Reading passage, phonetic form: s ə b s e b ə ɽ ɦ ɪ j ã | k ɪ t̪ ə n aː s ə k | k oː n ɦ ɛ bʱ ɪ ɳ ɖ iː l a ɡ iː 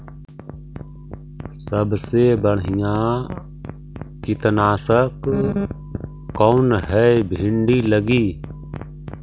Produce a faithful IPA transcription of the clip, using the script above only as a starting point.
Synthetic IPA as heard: s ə b s e b ə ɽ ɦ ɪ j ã | k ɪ t̪ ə n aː s ə k | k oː n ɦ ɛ bʱ ɪ ɳ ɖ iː l ə ɡ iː